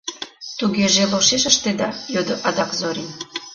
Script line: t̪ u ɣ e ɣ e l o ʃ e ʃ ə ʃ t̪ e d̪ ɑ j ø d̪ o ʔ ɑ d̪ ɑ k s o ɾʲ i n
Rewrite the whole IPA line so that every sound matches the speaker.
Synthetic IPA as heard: t̪ u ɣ e ʒ e l o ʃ e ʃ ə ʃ t̪ e d̪ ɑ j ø d̪ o ʔ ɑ d̪ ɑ k z o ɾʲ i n